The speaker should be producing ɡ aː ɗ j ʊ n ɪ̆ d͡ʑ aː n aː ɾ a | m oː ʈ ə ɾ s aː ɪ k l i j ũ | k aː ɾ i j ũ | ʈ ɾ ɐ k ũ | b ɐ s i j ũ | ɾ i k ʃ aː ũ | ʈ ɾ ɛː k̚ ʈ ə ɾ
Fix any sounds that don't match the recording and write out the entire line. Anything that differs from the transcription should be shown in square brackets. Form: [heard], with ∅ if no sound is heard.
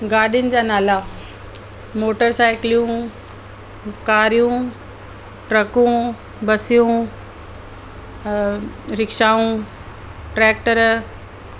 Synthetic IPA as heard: ɡ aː ɗ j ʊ n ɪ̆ d͡ʑ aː n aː [l] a | m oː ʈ ə ɾ s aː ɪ k l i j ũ | k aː ɾ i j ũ | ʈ ɾ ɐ k ũ | b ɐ s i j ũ | ɾ [ɪ] k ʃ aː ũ | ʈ ɾ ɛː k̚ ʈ ə ɾ